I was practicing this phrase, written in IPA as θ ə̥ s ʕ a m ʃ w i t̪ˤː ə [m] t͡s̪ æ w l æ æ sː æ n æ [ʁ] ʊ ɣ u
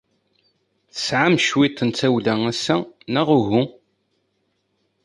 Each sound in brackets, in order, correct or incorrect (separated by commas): incorrect, correct